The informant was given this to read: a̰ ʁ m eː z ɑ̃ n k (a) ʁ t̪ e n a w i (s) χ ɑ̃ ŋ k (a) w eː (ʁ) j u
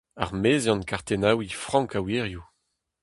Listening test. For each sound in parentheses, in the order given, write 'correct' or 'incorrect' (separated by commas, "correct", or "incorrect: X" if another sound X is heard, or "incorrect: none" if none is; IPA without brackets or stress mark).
correct, incorrect: f, correct, correct